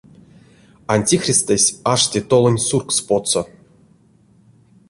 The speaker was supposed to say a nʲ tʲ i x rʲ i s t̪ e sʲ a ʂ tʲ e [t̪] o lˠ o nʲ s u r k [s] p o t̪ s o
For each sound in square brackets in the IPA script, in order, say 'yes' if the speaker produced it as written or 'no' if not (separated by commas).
yes, yes